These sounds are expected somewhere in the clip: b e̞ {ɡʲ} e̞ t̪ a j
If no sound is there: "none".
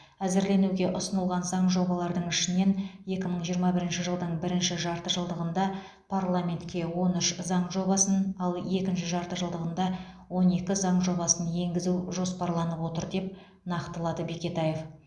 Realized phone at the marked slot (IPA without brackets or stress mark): kʲ